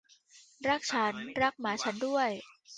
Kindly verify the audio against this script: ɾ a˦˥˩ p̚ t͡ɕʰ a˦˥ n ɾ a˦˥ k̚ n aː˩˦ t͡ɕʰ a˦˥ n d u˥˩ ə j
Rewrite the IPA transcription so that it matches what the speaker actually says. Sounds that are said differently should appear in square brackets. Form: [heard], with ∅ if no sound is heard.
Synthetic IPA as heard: ɾ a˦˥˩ [k̚] t͡ɕʰ a˦˥ n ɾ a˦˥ k̚ [m] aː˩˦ t͡ɕʰ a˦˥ n d u˥˩ ə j